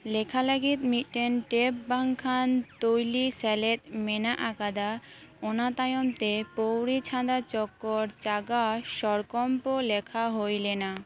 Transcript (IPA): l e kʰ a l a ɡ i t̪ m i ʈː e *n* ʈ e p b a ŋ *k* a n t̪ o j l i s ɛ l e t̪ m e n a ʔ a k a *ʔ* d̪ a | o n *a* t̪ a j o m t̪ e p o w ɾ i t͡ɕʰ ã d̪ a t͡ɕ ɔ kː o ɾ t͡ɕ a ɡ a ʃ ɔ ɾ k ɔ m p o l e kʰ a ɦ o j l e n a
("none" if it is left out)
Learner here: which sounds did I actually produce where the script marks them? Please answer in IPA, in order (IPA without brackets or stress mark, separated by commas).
n, kʰ, none, a